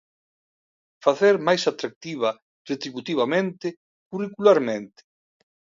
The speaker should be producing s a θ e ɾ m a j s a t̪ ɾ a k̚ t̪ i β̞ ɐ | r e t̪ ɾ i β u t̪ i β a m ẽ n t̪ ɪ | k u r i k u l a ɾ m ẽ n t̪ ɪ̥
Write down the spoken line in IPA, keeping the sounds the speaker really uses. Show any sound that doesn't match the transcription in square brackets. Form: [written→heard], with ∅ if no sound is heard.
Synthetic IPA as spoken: [s→f] a θ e ɾ m a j s a t̪ ɾ a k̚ t̪ i β̞ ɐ | r e t̪ ɾ i β u t̪ i β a m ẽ n t̪ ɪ | k u r i k u l a ɾ m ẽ n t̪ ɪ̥